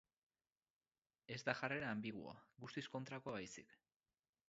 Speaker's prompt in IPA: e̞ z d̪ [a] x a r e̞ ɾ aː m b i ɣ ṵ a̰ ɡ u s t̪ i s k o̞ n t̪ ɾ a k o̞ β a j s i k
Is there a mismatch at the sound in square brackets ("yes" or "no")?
no